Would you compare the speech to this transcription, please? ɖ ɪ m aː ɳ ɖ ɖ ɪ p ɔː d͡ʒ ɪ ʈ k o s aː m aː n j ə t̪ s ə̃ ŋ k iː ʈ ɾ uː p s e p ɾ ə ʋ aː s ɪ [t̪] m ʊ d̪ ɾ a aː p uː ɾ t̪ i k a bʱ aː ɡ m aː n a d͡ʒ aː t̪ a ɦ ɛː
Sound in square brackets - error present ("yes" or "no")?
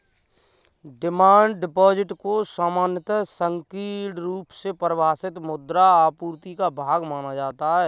no